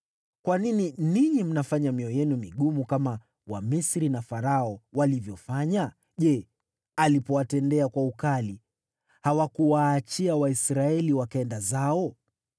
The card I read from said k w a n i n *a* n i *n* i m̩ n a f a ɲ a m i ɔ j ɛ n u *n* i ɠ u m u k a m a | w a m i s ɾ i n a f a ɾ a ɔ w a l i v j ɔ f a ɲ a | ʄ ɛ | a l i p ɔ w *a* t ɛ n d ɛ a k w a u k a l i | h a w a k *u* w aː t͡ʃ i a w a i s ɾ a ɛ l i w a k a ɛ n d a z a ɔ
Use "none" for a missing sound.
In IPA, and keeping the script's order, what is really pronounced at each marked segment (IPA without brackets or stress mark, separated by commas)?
i, ɲ, m, a, u